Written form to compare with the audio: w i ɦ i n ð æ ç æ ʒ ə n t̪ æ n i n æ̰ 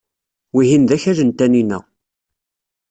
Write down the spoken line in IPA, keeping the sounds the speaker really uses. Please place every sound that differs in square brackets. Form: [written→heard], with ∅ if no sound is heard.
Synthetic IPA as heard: w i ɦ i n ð æ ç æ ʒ ə n t̪ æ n i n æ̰